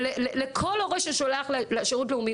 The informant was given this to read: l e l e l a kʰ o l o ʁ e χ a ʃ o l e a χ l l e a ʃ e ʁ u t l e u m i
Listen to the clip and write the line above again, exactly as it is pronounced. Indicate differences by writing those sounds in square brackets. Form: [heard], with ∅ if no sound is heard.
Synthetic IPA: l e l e l [e] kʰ o l o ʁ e [ʃ] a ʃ o l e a χ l l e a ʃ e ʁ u t l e u m i